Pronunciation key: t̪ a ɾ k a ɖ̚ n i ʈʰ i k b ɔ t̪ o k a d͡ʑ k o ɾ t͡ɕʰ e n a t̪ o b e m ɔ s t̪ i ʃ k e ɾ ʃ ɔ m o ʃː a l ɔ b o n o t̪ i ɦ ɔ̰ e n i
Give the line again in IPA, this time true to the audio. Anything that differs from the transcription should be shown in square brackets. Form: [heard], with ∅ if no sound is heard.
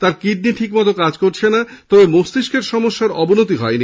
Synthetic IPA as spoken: t̪ a ɾ k [i] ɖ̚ n i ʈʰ i k [m] ɔ t̪ o k a d͡ʑ k o ɾ t͡ɕʰ e n a t̪ [ɔ] b e m [o] s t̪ i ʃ k e ɾ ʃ ɔ m o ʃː a [ɾ] ɔ b o n o t̪ i ɦ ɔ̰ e n i